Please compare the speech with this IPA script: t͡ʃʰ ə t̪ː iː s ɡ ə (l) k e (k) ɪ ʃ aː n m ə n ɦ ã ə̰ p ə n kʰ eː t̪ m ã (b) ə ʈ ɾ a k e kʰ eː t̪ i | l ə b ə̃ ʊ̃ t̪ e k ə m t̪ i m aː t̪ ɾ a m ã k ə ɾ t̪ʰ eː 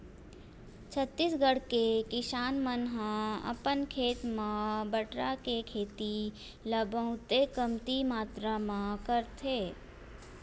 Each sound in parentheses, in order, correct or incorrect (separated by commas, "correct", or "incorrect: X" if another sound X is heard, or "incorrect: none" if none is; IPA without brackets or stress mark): incorrect: ɽ, correct, correct